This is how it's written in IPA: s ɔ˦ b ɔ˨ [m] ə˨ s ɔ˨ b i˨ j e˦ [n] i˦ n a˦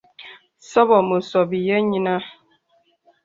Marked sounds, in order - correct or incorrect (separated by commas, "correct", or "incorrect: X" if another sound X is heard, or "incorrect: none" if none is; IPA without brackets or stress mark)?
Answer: correct, incorrect: ɲ